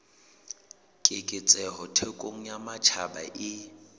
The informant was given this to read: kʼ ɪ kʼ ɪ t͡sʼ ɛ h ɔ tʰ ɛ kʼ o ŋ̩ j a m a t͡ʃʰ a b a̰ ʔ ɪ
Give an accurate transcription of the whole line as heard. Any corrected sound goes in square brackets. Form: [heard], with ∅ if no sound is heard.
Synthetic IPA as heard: kʼ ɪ kʼ ɪ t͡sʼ ɛ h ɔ tʰ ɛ kʼ o ŋ̩ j a m a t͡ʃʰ a b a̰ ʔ ɪ